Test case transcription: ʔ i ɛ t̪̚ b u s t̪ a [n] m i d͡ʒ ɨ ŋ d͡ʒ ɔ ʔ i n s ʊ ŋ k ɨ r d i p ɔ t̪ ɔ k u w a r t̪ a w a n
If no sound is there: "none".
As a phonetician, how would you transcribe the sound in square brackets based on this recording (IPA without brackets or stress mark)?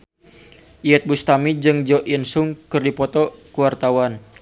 none